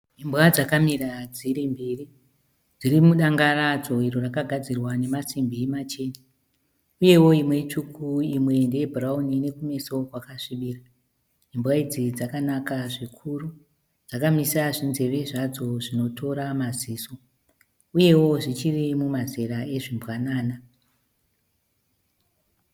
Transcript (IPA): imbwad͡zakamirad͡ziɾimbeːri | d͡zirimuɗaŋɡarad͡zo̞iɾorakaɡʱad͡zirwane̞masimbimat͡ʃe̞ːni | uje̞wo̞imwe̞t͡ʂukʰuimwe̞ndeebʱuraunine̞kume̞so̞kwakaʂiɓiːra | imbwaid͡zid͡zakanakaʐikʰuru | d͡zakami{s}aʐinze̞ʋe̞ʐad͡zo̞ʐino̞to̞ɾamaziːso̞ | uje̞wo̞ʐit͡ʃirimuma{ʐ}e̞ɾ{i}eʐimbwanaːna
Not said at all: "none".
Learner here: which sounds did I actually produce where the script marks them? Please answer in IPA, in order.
s, z, a

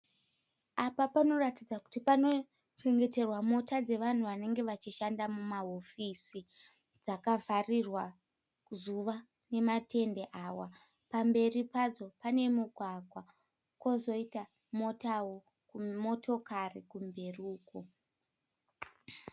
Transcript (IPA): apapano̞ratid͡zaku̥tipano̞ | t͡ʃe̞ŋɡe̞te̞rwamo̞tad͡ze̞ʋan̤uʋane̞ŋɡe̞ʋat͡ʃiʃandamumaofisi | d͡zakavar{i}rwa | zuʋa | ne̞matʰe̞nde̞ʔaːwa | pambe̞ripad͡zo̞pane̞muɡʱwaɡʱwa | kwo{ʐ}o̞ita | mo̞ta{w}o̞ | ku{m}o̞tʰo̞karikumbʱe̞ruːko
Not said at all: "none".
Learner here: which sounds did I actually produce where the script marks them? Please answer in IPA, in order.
i, z, w, m

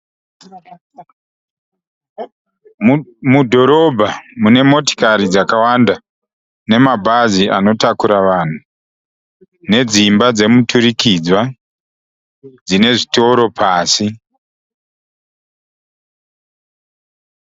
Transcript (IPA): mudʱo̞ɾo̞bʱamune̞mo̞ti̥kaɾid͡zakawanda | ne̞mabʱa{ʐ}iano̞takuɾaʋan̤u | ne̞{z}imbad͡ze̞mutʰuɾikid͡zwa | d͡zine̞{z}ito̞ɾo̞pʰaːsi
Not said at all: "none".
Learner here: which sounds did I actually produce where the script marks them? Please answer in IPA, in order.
z, d͡z, ʐ

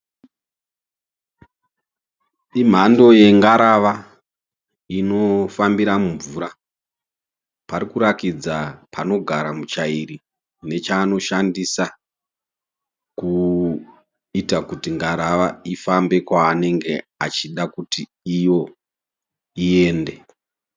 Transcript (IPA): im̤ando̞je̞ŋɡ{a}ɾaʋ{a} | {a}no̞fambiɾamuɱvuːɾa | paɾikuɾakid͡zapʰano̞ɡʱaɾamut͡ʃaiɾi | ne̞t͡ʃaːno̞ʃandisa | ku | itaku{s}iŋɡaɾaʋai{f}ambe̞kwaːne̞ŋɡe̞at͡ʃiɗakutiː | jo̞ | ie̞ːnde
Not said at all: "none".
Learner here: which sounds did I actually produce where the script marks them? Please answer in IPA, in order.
a, a, i, t, f

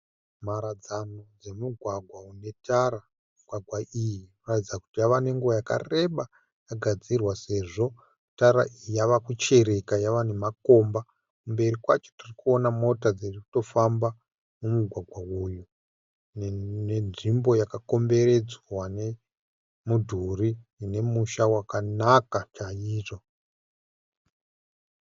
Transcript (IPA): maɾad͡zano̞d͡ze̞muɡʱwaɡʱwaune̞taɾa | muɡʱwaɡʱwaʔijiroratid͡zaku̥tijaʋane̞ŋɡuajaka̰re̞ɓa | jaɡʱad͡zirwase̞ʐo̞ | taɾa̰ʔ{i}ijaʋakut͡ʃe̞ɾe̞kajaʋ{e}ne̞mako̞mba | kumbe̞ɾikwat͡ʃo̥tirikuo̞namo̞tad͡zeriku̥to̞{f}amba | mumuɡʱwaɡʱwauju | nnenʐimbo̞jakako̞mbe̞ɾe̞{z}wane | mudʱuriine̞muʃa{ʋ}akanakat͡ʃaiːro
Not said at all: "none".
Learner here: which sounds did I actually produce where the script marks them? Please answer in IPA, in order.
i, a, f, d͡z, w

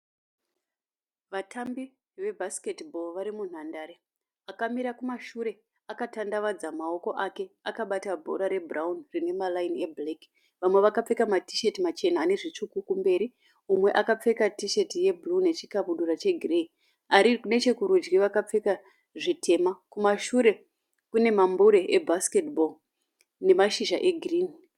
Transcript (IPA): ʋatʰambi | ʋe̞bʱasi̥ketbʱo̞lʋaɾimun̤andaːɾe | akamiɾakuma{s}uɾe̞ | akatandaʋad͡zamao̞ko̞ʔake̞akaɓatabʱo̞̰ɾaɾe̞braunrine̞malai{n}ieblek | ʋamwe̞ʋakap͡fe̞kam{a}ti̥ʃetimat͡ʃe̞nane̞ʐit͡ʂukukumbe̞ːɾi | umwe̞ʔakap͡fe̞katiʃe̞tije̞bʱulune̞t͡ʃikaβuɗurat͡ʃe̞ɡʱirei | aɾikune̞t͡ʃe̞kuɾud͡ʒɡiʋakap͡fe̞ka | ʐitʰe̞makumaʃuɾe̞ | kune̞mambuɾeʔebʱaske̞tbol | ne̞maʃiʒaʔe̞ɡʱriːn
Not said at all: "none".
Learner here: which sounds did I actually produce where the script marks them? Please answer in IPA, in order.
ʃ, n, a

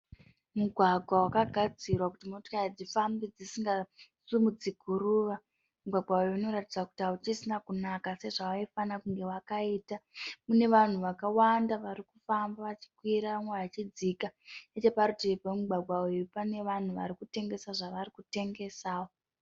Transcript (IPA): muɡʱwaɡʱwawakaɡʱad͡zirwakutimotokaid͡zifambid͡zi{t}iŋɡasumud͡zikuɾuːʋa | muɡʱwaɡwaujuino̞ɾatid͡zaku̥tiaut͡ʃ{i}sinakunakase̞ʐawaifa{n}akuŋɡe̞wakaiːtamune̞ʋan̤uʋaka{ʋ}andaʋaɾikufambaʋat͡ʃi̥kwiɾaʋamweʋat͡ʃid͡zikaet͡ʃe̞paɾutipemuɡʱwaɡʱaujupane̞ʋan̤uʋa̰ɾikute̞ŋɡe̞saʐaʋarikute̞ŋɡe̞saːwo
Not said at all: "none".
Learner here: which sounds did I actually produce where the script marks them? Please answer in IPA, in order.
s, i, n, w

